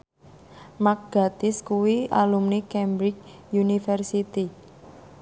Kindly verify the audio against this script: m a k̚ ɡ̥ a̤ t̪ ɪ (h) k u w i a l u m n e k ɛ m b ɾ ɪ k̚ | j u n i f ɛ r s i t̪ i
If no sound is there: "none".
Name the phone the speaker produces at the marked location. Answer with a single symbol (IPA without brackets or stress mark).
s